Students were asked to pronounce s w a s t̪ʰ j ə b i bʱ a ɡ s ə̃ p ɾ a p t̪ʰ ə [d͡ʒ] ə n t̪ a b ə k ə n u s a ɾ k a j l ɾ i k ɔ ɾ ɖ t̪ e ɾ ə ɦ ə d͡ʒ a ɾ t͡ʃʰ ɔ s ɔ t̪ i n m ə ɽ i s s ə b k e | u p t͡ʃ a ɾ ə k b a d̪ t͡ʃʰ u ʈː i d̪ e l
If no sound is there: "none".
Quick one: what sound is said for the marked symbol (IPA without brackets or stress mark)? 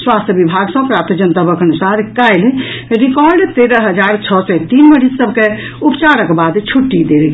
d͡ʒ